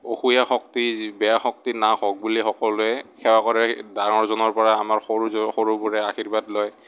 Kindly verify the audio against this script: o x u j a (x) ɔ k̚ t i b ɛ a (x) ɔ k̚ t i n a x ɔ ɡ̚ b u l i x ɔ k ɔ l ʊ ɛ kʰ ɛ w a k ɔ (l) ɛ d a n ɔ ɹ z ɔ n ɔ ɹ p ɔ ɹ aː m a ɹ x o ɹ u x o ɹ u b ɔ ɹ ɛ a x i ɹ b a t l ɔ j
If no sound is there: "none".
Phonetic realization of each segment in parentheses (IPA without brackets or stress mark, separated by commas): x, x, ɹ